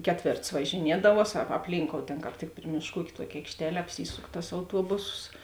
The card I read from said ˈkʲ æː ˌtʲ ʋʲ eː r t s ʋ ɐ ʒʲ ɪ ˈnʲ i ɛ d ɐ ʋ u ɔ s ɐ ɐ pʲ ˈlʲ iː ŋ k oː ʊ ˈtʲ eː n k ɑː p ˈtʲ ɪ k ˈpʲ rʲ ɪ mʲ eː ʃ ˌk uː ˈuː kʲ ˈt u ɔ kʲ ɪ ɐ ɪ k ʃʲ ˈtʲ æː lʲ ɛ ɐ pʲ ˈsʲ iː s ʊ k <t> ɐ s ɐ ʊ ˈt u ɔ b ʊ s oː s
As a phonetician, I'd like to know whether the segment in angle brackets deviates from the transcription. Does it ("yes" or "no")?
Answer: no